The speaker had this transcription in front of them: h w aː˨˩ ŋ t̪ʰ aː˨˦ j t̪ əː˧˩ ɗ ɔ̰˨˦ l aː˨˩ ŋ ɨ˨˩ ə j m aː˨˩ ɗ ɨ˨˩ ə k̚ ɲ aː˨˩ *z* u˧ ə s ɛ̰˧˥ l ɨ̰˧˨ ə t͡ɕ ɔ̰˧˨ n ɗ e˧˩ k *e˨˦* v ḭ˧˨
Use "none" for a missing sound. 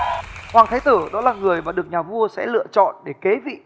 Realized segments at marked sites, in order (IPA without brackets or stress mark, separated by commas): v, e˨˦